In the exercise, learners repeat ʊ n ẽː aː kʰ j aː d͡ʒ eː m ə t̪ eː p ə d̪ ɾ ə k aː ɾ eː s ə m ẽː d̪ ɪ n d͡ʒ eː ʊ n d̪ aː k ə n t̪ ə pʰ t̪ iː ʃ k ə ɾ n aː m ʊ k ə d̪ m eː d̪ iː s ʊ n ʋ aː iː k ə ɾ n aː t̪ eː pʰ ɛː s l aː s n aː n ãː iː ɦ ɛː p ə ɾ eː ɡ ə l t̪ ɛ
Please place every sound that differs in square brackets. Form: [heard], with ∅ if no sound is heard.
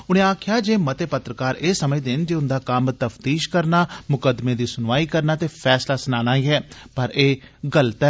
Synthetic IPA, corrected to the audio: ʊ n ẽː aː kʰ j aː d͡ʒ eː m ə t̪ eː p ə [t̪] ɾ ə k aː ɾ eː s ə m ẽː d̪ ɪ n d͡ʒ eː ʊ n d̪ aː k ə [m] t̪ ə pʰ t̪ iː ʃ k ə ɾ n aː m ʊ k ə d̪ m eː d̪ iː s ʊ n ʋ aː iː k ə ɾ n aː t̪ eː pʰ ɛː s l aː s n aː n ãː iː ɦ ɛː p ə ɾ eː ɡ ə l t̪ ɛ